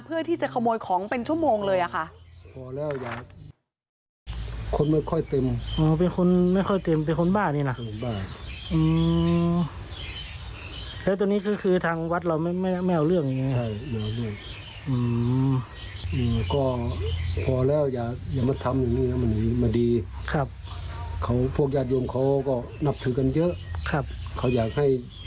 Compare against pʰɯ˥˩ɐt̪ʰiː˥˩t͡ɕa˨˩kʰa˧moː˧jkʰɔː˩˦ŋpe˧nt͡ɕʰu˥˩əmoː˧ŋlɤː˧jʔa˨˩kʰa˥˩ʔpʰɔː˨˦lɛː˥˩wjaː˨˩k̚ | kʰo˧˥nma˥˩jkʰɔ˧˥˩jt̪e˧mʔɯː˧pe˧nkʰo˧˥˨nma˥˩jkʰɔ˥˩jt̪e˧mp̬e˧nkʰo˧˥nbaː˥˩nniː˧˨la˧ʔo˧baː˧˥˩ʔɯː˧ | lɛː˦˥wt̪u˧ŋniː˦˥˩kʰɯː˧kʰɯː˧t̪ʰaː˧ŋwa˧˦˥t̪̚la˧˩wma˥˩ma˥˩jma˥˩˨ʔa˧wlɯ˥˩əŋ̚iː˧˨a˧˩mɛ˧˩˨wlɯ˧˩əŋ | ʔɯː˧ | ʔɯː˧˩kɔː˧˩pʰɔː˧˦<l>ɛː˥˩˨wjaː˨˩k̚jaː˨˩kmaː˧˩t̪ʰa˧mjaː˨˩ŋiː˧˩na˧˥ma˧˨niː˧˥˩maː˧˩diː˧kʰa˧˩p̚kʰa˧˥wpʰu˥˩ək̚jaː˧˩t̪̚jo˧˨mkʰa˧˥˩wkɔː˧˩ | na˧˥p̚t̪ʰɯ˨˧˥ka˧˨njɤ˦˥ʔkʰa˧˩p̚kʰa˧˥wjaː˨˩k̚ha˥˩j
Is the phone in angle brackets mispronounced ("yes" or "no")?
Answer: no